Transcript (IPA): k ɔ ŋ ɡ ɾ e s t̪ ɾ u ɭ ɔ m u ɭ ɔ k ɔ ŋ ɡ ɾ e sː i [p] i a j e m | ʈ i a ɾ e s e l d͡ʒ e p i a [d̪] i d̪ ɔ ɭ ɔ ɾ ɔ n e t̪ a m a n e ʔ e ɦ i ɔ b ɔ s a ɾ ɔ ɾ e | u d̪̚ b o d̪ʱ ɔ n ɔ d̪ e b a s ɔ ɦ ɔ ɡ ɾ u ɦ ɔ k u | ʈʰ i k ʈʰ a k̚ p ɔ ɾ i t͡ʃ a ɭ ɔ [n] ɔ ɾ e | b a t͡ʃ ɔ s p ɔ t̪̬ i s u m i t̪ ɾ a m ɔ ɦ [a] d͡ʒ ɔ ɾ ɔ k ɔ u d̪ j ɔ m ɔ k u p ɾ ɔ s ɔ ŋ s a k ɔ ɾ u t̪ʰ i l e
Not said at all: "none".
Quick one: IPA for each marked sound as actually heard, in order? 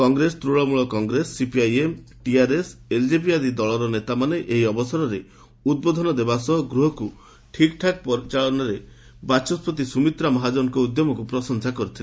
p, d̪, n, a

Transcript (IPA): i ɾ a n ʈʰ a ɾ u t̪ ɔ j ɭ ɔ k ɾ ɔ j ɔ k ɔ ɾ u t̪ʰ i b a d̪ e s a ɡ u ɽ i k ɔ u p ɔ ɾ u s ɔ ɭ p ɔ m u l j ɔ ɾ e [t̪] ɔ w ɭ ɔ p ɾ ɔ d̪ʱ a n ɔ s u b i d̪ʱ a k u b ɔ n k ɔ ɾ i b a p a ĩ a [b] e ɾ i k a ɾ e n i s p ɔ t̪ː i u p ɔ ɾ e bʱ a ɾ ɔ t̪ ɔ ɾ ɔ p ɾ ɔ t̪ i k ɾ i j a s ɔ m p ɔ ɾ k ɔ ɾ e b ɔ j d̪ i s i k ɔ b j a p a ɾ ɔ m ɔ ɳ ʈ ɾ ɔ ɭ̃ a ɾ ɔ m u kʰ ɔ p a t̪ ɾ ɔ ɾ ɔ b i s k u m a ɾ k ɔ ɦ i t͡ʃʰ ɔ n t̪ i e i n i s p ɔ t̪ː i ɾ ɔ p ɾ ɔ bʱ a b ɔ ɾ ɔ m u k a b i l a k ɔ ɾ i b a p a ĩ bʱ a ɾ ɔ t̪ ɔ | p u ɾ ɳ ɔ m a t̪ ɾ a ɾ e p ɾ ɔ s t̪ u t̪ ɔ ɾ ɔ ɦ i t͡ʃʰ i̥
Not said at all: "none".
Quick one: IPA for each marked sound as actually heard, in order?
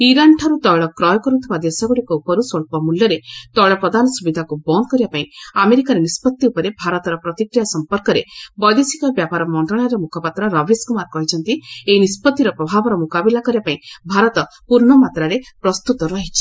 t̪, m

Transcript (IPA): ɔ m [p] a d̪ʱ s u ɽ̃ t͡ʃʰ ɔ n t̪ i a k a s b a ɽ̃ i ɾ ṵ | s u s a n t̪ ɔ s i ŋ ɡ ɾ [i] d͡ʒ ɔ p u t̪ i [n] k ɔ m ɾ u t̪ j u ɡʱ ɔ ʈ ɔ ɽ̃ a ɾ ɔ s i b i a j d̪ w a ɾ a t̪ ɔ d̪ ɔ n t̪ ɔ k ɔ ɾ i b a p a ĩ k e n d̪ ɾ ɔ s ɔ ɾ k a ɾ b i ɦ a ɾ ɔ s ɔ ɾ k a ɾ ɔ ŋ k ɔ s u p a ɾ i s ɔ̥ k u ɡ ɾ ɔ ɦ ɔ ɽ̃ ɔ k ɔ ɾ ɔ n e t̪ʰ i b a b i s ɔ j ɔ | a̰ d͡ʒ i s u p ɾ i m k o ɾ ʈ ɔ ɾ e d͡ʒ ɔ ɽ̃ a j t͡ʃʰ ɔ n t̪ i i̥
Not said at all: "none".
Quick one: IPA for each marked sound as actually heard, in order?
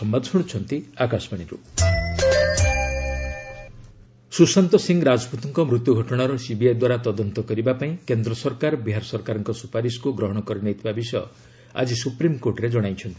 b, a, ŋ

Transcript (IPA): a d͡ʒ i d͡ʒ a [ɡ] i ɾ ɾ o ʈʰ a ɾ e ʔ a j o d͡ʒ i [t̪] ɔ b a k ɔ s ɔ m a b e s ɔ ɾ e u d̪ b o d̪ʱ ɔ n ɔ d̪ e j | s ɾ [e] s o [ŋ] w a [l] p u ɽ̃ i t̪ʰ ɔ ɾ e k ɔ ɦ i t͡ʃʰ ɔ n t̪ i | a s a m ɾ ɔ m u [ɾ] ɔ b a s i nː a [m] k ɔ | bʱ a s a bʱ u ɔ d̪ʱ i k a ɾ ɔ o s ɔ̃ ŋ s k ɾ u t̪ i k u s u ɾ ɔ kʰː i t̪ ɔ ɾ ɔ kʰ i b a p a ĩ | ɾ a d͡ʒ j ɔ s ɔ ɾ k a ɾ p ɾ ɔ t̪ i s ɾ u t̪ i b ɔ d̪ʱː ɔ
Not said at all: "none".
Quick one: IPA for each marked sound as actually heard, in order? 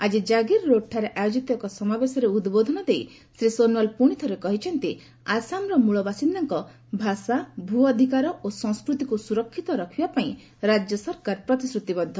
ɡ, t̪, i, n, l, ɭ, ŋ

